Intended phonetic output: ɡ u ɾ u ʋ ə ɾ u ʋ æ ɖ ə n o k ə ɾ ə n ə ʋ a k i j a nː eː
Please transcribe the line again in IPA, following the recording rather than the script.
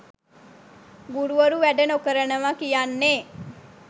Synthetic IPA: ɡ u ɾ u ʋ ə ɾ u ʋ æ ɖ ə n o k ə ɾ ə n ə ʋ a k i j a nː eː